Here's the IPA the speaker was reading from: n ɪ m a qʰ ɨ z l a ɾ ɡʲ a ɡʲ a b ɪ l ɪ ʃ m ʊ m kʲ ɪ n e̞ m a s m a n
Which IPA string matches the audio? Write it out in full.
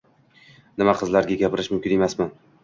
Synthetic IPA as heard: n ɪ m a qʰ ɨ z l a ɾ ɡʲ a ɡʲ a p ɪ ɾ ɪ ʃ m ʊ m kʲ ɪ n e̞ m a s m a n